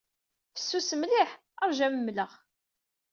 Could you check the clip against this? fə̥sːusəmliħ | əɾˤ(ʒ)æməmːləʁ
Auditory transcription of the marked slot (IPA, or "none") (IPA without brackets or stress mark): ʒ